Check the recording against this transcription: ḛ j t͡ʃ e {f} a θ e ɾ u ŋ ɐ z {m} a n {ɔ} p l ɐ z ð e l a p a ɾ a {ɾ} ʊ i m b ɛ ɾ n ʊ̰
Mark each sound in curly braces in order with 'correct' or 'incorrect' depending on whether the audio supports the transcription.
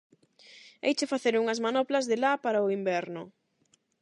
correct, correct, correct, incorrect: none

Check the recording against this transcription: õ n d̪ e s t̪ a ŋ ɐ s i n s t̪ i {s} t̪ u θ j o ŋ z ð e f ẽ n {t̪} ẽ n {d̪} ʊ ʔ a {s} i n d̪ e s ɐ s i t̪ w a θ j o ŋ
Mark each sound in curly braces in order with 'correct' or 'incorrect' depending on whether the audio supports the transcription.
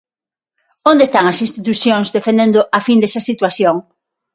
incorrect: none, incorrect: d̪, correct, incorrect: f

